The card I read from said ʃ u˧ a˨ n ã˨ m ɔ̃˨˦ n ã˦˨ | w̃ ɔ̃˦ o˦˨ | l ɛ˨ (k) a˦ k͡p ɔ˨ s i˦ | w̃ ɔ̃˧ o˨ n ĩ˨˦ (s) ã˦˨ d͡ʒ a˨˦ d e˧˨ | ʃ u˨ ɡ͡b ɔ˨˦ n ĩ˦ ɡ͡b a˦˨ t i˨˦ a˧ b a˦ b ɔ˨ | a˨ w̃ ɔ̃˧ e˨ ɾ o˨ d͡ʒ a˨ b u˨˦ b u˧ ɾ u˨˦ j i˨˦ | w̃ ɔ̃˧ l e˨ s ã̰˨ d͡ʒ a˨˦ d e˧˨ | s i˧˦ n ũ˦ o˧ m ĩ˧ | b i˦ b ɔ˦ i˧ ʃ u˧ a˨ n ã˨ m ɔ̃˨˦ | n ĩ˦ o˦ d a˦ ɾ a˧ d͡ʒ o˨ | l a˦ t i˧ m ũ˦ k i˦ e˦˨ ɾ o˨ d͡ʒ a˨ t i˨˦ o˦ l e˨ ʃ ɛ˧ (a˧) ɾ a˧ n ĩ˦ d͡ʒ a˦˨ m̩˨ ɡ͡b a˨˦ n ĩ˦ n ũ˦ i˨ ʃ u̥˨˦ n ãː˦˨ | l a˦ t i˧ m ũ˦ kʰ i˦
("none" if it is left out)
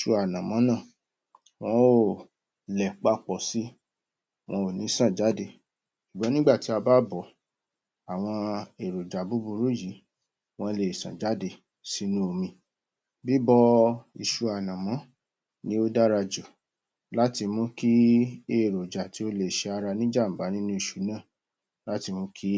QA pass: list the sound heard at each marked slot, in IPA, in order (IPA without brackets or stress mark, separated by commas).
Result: k͡p, s, a˧